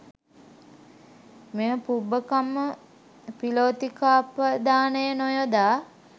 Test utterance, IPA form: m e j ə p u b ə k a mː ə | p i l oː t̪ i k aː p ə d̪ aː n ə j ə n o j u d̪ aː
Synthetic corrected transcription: m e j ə p u b ə k a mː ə | p i l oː t̪ i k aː p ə d̪ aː n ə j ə n o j o d̪ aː